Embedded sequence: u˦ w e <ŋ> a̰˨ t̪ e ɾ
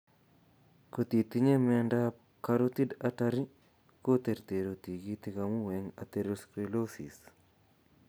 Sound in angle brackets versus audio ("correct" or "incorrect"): correct